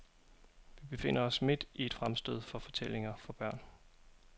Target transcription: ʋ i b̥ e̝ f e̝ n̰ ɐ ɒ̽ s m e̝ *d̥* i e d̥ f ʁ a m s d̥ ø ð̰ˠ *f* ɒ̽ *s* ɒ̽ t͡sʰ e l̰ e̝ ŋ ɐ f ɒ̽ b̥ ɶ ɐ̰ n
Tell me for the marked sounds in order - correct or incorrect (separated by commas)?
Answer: correct, correct, incorrect